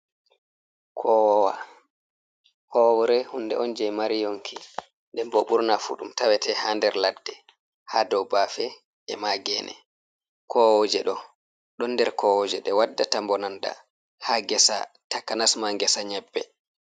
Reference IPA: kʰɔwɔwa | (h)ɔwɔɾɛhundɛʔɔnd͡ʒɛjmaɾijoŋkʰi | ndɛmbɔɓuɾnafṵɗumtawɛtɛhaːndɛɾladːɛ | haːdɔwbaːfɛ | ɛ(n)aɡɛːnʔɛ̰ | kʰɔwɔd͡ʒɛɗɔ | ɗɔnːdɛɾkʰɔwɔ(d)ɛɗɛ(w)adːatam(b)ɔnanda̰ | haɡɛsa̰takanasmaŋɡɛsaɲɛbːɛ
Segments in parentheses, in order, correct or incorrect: correct, incorrect: m, incorrect: d͡ʒ, correct, correct

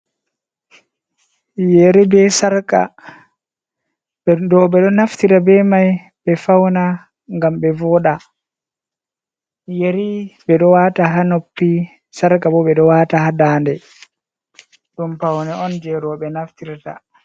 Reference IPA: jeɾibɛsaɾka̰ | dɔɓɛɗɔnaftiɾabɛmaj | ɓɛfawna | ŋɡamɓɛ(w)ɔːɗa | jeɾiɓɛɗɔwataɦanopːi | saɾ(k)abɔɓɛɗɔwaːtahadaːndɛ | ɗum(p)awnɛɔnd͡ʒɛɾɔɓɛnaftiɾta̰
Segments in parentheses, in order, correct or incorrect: incorrect: v, correct, correct

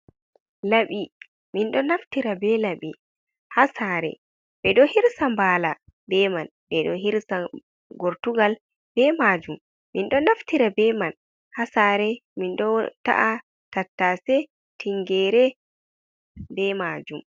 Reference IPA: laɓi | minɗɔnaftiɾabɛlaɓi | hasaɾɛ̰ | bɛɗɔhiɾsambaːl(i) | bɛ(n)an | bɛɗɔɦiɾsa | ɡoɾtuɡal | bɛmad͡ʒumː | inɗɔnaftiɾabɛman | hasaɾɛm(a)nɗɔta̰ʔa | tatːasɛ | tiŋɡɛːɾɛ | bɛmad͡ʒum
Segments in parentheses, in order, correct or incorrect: incorrect: a, incorrect: m, incorrect: i

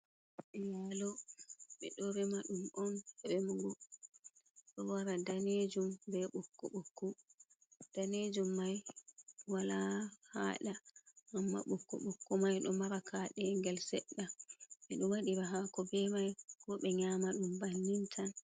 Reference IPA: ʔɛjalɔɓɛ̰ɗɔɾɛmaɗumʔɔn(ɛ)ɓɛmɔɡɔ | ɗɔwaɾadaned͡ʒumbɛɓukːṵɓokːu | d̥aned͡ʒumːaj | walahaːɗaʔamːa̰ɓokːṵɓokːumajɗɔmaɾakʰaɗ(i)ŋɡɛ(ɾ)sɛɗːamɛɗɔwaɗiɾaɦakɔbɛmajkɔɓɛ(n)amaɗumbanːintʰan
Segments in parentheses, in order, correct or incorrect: correct, incorrect: ɛ, incorrect: l, incorrect: ɲ

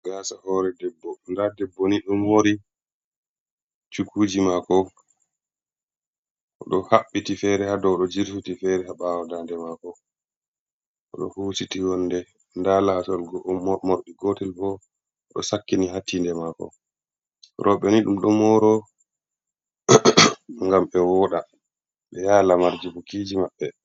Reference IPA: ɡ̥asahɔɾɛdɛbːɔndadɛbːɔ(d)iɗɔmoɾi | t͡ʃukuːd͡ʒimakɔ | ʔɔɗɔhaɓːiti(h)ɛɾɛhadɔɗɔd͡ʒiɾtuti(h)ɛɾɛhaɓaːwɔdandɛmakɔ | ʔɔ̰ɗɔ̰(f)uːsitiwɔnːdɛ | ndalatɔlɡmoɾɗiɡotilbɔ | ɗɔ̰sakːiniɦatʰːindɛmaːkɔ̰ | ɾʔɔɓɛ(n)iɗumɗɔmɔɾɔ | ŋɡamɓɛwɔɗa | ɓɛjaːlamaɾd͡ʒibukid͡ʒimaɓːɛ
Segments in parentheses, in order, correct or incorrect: incorrect: n, incorrect: f, incorrect: f, incorrect: h, correct

